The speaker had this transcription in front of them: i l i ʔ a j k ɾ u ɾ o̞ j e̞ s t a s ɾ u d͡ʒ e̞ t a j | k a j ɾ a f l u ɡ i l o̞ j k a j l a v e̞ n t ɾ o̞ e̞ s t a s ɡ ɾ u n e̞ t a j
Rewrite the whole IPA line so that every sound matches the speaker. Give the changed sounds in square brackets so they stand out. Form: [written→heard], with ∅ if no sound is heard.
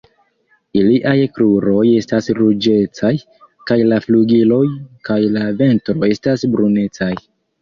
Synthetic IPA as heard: i l i ʔ a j k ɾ u ɾ o̞ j e̞ s t a s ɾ u d͡ʒ e̞ [t→t͡s] a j | k a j [ɾ→l] a f l u ɡ i l o̞ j k a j l a v e̞ n t ɾ o̞ e̞ s t a s [ɡ→b] ɾ u n e̞ [t→t͡s] a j